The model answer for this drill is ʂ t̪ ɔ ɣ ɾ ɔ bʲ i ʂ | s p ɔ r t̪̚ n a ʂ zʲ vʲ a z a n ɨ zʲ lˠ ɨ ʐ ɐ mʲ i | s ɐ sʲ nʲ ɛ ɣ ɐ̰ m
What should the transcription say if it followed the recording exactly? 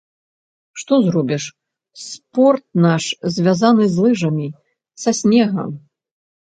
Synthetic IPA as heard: ʂ t̪ ɔ z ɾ ɔ bʲ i ʂ | s p ɔ r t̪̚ n a ʂ zʲ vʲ a z a n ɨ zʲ lˠ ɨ ʐ ɐ mʲ i | s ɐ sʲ nʲ ɛ ɣ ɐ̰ m